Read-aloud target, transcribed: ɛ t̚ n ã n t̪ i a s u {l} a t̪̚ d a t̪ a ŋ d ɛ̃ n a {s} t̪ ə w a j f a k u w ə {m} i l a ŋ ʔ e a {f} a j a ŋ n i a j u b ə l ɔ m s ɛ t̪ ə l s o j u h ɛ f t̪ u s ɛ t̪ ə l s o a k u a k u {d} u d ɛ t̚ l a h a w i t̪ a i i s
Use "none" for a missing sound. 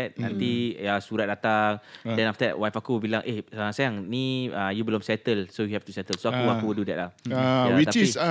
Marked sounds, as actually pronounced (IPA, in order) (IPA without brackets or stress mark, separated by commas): ɾ, f, b, s, d